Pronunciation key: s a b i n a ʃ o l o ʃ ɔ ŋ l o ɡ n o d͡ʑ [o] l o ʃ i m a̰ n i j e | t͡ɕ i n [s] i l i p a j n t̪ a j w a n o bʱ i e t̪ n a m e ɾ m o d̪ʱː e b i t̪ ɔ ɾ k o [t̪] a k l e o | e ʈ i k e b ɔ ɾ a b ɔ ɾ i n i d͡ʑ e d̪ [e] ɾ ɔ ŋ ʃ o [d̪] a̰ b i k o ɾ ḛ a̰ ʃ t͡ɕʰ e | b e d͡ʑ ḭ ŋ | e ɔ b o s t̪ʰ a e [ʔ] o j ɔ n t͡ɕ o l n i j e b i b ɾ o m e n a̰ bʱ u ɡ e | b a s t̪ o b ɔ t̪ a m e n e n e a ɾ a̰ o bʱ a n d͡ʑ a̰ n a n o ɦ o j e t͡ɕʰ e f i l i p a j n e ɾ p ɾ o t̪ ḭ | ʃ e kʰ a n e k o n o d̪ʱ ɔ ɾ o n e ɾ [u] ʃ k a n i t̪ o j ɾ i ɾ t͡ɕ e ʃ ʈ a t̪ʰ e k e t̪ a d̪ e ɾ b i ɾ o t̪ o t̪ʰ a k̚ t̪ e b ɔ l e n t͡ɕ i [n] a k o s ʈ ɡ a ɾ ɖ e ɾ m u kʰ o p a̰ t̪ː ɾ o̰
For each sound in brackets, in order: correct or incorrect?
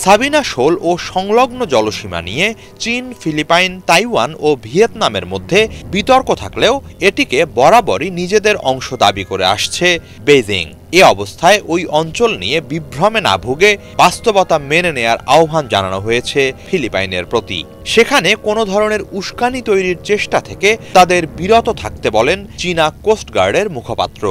incorrect, incorrect, incorrect, correct, correct, correct, correct, correct

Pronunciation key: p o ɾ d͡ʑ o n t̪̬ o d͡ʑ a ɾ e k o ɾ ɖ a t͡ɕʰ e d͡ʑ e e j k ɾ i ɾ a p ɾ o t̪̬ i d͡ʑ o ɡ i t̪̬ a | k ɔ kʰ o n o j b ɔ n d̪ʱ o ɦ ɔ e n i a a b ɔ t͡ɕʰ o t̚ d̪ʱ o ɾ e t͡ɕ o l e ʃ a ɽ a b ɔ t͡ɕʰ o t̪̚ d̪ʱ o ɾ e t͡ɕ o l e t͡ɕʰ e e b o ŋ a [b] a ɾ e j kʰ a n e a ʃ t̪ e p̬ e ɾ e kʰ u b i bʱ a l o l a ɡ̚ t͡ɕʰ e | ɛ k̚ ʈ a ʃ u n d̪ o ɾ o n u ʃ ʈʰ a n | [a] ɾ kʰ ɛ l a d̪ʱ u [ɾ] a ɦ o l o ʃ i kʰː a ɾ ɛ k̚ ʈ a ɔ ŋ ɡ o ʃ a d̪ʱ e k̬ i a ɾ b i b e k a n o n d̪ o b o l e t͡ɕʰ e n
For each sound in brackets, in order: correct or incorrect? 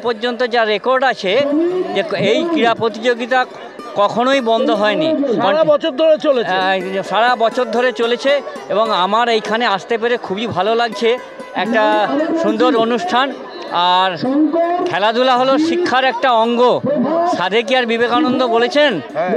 incorrect, correct, incorrect

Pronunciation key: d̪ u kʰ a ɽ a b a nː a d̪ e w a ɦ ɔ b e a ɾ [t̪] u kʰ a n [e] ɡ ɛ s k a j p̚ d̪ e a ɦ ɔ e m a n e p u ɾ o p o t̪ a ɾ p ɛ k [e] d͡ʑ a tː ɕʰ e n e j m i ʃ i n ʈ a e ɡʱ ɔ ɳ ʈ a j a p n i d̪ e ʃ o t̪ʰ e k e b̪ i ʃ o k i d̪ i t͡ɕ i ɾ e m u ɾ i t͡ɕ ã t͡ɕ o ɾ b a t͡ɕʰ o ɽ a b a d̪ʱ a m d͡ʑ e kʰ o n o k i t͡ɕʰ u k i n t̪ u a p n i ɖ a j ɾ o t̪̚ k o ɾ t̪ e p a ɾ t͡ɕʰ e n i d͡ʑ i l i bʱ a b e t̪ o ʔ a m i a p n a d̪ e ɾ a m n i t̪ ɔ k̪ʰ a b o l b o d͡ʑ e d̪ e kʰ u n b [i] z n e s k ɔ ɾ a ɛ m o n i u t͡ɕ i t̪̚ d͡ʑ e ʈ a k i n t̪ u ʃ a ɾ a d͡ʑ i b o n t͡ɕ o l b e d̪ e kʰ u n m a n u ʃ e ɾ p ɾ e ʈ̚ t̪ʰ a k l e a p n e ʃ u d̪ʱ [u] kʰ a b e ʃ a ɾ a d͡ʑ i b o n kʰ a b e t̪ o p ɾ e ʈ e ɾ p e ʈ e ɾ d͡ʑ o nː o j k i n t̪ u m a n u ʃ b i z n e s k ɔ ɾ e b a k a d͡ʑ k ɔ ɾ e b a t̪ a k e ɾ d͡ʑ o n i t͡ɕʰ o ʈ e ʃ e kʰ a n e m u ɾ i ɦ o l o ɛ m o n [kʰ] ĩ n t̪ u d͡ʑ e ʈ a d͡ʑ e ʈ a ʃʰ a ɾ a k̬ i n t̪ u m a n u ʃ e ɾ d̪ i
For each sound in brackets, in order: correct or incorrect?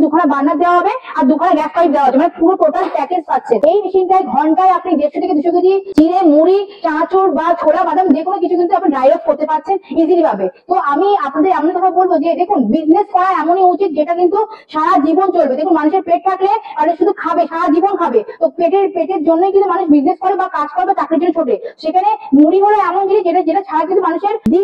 incorrect, incorrect, correct, correct, correct, incorrect

